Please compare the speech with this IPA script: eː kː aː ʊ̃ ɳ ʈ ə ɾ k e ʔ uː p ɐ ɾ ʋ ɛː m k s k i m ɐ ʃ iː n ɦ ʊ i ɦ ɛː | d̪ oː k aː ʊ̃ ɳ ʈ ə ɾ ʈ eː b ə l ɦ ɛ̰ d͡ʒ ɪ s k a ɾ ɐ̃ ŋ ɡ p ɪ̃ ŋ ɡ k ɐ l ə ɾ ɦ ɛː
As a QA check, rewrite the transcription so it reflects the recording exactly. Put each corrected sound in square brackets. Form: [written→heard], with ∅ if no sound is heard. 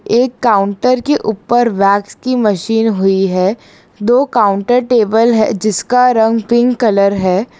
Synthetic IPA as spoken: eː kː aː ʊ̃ ɳ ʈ ə ɾ k e ʔ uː p [ɐ→ə] ɾ ʋ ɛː [m→∅] k s k i m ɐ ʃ iː n ɦ ʊ i ɦ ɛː | d̪ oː k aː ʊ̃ ɳ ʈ ə ɾ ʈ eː b ə l ɦ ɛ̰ d͡ʒ ɪ s k a ɾ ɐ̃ ŋ ɡ p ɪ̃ ŋ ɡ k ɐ l ə ɾ ɦ ɛː

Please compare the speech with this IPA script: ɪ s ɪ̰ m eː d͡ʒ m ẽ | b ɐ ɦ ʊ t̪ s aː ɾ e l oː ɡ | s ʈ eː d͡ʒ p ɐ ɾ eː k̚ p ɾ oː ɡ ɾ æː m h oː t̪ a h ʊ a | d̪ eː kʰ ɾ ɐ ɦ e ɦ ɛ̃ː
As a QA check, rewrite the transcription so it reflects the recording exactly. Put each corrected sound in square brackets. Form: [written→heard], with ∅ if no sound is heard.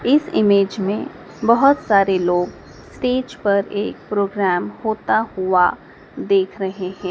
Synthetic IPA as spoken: ɪ s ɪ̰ m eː d͡ʒ m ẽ | b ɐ ɦ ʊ t̪ s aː ɾ e l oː ɡ | s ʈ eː d͡ʒ p ɐ ɾ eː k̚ p ɾ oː ɡ ɾ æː m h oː t̪ a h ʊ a | d̪ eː kʰ ɾ ɐ ɦ e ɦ ɛ̃ː

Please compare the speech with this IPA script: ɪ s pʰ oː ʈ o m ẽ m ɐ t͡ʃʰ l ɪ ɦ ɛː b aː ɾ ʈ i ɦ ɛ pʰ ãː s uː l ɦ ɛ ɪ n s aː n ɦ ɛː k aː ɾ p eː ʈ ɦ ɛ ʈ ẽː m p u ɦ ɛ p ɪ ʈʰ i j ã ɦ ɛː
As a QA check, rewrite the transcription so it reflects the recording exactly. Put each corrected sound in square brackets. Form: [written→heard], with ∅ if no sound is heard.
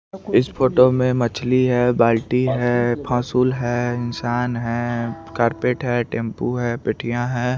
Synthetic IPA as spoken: ɪ s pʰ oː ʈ o m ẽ m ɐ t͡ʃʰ l [ɪ→i] ɦ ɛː b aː [ɾ→l] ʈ i ɦ ɛ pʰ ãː s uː l ɦ ɛ ɪ n s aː n ɦ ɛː k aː ɾ p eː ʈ ɦ ɛ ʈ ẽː m p u ɦ ɛ p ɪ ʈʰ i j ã ɦ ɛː

